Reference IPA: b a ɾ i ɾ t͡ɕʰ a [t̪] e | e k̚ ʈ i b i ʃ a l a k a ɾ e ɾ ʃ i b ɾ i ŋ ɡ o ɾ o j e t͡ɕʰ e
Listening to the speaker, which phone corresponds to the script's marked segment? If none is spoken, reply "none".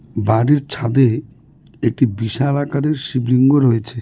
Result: d̪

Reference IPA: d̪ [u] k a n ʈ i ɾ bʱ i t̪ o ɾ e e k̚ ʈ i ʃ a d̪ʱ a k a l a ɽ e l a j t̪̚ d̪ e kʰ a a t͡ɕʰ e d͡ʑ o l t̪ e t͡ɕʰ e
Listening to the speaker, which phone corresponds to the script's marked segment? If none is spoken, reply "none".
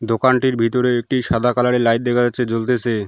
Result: o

